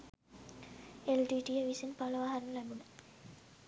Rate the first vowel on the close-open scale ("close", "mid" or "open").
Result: mid